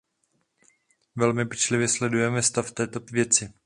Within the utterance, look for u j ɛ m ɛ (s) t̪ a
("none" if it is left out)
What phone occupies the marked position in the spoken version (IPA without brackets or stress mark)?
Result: s